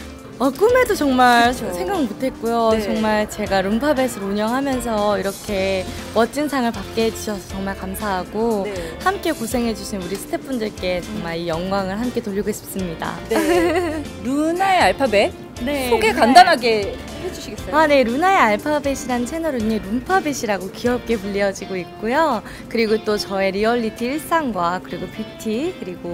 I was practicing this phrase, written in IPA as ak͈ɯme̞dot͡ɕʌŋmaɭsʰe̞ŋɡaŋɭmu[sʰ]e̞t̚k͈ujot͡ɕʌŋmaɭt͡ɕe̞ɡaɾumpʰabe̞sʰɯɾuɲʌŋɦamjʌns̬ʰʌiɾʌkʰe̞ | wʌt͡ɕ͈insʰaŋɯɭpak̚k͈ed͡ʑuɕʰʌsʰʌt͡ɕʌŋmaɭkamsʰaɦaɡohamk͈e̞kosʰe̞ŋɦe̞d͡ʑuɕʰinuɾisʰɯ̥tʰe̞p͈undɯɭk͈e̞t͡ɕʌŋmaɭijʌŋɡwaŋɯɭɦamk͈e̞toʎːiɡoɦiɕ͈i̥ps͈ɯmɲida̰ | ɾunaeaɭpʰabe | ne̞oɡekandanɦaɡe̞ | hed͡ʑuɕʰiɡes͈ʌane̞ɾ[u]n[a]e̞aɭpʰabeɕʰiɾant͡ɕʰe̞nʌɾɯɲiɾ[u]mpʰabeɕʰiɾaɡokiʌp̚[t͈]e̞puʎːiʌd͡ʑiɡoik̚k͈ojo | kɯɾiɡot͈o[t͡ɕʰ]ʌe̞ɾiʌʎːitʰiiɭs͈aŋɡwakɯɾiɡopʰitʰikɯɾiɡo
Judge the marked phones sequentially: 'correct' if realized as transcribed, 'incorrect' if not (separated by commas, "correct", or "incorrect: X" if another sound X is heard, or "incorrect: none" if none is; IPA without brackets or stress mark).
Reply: incorrect: tʰ, correct, correct, correct, incorrect: k͈, incorrect: t͡ɕ